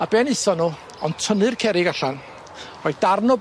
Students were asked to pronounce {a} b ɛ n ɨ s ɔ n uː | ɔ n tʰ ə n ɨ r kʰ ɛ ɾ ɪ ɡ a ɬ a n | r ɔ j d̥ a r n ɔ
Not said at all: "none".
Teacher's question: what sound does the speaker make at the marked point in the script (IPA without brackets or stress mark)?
a